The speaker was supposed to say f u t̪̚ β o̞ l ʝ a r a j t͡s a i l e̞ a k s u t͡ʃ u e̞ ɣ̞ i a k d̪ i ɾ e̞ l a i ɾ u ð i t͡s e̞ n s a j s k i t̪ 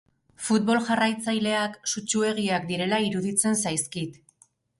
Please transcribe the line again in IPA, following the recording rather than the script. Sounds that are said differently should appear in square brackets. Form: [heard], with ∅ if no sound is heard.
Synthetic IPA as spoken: f u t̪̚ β o̞ l ʝ a r a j t͡s a [j] l e̞ a k s u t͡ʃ u e̞ ɣ̞ i a k d̪ i ɾ e̞ l a i ɾ u ð i t͡s e̞ n s a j s k i t̪